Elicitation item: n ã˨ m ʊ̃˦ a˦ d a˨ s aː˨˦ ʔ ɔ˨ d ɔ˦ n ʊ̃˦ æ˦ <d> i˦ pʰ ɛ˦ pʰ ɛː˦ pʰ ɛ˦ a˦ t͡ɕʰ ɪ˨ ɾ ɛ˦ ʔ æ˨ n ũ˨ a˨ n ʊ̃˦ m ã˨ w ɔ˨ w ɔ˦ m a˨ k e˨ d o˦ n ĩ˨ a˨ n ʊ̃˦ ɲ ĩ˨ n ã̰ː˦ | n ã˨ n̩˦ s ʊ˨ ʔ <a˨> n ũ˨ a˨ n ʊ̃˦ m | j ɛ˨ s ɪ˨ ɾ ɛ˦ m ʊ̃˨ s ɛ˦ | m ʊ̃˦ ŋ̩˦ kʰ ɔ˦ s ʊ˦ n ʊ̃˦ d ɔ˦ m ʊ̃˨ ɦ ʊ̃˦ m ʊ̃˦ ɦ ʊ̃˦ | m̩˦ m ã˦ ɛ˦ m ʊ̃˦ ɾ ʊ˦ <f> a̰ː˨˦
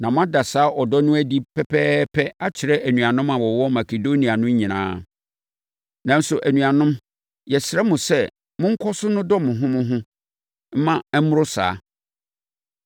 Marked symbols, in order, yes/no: yes, no, no

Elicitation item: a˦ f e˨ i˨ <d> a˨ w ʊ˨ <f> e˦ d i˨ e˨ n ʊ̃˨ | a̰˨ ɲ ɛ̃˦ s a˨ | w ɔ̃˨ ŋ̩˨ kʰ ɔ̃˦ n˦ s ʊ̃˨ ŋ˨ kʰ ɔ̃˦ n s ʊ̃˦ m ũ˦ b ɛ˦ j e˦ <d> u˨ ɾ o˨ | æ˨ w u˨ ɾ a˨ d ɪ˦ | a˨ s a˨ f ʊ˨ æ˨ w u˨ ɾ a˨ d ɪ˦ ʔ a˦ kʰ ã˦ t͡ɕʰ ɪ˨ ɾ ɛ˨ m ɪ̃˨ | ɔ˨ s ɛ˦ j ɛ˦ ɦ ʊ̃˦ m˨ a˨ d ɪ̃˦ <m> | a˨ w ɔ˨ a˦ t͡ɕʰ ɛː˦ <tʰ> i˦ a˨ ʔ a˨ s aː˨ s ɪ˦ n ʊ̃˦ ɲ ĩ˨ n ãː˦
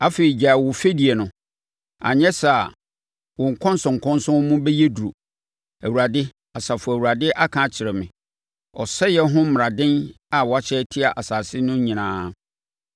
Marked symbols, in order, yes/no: no, yes, yes, no, yes

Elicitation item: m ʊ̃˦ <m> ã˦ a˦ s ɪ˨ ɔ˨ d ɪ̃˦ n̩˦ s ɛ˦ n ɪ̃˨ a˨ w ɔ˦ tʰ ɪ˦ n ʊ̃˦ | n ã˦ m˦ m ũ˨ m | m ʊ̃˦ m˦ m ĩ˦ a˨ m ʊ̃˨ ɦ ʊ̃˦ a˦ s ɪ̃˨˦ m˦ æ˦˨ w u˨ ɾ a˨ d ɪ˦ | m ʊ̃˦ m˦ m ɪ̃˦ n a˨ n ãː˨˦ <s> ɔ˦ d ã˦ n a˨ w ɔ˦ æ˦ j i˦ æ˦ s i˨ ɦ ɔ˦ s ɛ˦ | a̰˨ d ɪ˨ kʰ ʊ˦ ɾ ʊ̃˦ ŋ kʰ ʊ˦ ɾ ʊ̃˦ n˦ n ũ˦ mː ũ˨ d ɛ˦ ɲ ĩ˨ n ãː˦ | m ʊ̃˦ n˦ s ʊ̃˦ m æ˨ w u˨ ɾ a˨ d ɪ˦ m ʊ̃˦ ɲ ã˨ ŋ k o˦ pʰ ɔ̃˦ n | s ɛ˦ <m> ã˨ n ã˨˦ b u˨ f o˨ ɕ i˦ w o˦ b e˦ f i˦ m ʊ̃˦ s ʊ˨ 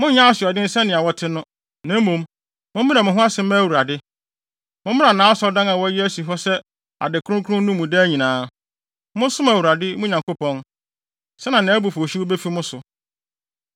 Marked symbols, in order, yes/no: no, yes, no

